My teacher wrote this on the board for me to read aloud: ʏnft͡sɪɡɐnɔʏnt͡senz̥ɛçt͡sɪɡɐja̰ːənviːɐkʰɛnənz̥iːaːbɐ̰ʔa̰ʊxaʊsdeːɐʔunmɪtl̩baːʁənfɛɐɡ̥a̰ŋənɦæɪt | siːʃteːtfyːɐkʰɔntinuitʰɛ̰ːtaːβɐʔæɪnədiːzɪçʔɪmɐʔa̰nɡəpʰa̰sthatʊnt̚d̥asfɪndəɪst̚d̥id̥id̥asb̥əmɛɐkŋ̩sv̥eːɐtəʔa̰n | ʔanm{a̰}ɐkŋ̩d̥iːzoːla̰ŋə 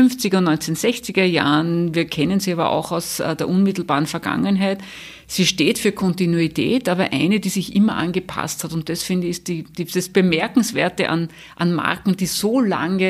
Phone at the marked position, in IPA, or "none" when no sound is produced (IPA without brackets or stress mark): a̰